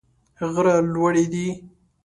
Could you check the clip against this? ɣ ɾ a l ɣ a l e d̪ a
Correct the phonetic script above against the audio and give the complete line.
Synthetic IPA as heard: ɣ ɾ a l w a ɽ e d̪ i

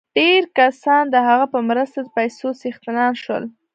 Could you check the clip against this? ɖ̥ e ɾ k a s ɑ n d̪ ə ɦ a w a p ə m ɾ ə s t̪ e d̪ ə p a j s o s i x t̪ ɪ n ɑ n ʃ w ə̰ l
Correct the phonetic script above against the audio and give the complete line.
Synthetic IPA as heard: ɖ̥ e ɾ k a s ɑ n d̪ ə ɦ a ɣ a p ə m ɾ ə s t̪ a d̪ ə p a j s o s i x t̪ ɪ n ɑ n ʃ w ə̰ l

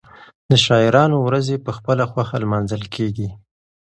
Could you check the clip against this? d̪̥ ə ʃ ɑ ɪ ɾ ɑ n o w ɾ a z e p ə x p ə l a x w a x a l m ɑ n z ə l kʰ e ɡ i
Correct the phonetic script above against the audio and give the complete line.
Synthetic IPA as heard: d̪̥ ə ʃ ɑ ɪ ɾ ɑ n o w ɾ a z e p ə x p ə l a x w a x a l m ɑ n z ə l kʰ e ɡ i

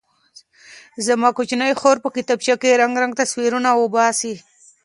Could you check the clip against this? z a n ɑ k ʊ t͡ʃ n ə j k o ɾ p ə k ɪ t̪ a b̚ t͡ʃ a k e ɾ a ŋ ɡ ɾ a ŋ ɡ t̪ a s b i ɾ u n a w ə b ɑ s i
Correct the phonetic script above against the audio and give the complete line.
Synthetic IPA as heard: z a m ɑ k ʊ t͡ʃ n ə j x o ɾ p ə k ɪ t̪ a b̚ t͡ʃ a k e ɾ a ŋ ɡ ɾ a ŋ ɡ t̪ a s w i ɾ u n a w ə b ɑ s i

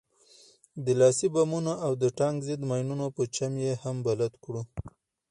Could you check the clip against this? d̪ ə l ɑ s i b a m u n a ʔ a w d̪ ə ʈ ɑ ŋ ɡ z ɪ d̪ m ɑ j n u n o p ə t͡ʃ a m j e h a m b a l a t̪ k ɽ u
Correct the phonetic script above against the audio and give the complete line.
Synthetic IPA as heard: d̪ ə l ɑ s i b a m u n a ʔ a w d̪ ə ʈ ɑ ŋ ɡ z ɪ d̪ m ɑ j n u n o p ə t͡ʃ a m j e h a m b a l a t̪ k ɽ u

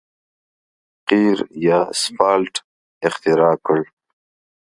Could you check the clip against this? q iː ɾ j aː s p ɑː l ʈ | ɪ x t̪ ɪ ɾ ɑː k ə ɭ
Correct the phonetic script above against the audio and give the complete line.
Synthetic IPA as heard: q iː ɾ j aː s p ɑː l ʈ | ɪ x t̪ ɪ ɾ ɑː k ə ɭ

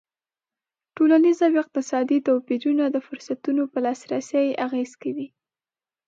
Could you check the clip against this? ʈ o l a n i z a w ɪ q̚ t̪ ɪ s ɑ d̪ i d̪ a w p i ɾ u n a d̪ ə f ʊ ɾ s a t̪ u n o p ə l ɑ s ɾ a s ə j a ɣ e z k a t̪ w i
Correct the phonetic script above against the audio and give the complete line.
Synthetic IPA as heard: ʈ o l a n i z a w ɪ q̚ t̪ ɪ s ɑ d̪ i t̪ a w p i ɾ u n a d̪ ə f ʊ ɾ s a t̪ u n o p ə l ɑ s ɾ a s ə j a ɣ e z k a w i

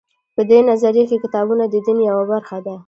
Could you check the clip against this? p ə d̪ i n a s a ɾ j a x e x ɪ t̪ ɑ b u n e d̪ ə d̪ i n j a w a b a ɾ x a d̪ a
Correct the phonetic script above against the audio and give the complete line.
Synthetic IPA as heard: p ə d̪ e n a z a ɾ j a k e k ɪ t̪ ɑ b u n a d̪ ə d̪ i n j a w a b a ɾ x a d̪ a

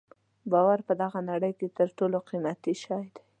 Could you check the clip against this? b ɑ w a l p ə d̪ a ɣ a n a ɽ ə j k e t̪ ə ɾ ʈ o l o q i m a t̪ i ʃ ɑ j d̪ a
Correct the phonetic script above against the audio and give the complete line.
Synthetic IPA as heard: b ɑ w a ɾ p ə d̪ a ɣ a n a ɽ ə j k e t̪ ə ɾ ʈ o l o q i m a t̪ i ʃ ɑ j d̪ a

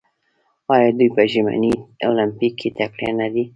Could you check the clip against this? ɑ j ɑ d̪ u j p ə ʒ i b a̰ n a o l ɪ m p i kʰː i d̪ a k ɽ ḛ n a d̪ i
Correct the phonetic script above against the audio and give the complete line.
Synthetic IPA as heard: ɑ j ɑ d̪ u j p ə ʒ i m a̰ n i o l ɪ m p i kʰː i t̪ a k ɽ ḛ n a d̪ i

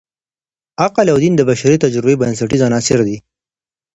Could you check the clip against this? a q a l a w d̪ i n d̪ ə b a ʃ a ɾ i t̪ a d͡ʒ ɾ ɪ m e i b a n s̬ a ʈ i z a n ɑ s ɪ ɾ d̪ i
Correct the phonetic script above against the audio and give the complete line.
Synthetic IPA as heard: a q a l a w d̪ i n d̪ ə b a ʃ a ɾ i t̪ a d͡ʒ ɾ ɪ b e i b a n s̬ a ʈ i z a n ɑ s ɪ ɾ d̪ i

